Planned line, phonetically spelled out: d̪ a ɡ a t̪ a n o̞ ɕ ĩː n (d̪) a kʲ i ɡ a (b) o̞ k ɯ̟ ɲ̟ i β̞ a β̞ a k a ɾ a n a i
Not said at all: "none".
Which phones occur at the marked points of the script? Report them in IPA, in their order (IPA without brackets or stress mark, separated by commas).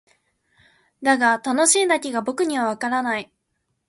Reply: d̪, b